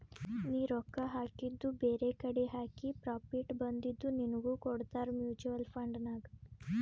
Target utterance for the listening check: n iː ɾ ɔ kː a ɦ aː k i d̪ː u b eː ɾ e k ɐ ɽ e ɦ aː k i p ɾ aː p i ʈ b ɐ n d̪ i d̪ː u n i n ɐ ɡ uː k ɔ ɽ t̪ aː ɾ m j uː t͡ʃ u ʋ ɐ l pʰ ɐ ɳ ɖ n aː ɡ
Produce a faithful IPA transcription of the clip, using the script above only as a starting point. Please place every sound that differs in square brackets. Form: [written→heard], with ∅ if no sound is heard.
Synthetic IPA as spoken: n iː ɾ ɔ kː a ɦ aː k i d̪ː u b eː ɾ e k ɐ ɽ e ɦ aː k i p ɾ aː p i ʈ b ɐ n d̪ i d̪ː u n i n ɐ ɡ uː k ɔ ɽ t̪ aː ɾ m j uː t͡ʃ u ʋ ɐ l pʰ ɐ ɳ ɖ n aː ɡ